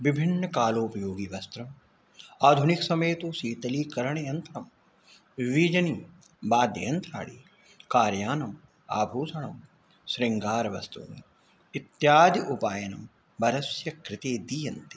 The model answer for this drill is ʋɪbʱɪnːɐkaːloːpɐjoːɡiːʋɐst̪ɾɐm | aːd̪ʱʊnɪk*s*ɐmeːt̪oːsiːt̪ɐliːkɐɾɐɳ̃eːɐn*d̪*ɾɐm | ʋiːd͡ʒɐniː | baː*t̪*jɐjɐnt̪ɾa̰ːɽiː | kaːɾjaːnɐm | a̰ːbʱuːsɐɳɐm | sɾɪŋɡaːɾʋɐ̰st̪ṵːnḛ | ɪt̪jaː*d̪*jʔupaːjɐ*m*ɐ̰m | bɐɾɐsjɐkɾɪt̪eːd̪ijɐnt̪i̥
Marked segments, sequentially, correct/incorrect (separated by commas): correct, incorrect, incorrect, correct, incorrect